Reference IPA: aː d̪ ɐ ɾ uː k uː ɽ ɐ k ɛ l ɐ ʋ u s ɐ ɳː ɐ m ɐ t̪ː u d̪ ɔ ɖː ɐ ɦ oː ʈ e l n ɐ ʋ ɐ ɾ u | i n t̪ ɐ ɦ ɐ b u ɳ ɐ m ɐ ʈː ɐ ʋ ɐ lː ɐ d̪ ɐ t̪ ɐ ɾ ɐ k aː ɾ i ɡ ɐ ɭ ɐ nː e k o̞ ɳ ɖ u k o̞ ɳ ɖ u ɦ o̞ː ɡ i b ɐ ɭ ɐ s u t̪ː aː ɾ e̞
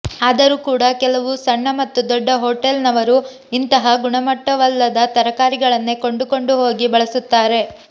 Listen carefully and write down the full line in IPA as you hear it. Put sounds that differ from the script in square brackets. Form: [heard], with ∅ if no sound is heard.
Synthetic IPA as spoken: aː d̪ ɐ ɾ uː k uː ɽ ɐ k ɛ l ɐ ʋ u s ɐ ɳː ɐ m ɐ t̪ː u d̪ ɔ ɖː ɐ ɦ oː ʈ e l n ɐ ʋ ɐ ɾ u | i n t̪ ɐ ɦ ɐ [ɡ] u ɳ ɐ m ɐ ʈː ɐ ʋ ɐ lː ɐ d̪ ɐ t̪ ɐ ɾ ɐ k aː ɾ i ɡ ɐ ɭ ɐ nː e k o̞ ɳ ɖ u k o̞ ɳ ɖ u ɦ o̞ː ɡ i b ɐ ɭ ɐ s u t̪ː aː ɾ e̞

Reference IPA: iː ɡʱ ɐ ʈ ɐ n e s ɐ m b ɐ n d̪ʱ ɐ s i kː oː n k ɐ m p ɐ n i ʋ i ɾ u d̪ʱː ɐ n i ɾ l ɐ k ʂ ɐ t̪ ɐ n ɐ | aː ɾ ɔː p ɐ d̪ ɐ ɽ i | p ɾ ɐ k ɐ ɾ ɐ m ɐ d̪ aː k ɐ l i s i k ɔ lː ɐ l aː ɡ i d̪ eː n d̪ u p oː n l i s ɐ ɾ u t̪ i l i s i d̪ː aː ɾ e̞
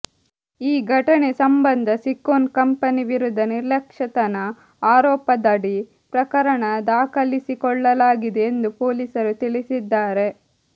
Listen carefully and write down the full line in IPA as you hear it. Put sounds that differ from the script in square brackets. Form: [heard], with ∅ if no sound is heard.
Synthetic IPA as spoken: iː ɡʱ ɐ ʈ ɐ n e s ɐ m b ɐ n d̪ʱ ɐ s i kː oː n k ɐ m p ɐ n i ʋ i ɾ u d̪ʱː ɐ n i ɾ l ɐ k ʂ ɐ t̪ ɐ n ɐ | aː ɾ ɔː p ɐ d̪ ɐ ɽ i | p ɾ ɐ k ɐ ɾ ɐ [ɳ] ɐ d̪ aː k ɐ l i s i k ɔ [ɭː] ɐ l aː ɡ i d̪ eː n d̪ u p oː [∅] l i s ɐ ɾ u t̪ i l i s i d̪ː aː ɾ e̞

